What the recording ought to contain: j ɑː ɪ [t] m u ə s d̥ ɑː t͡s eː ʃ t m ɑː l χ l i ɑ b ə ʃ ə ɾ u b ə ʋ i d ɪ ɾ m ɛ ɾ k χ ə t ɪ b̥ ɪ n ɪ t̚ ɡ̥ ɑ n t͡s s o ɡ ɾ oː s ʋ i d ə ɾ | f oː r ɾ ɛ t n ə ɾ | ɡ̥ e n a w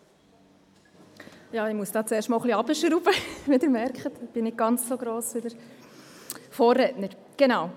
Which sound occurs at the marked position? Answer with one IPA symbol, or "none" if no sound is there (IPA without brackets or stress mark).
none